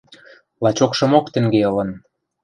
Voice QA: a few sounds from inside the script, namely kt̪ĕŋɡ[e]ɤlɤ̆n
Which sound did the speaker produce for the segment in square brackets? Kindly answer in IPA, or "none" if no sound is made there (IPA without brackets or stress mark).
e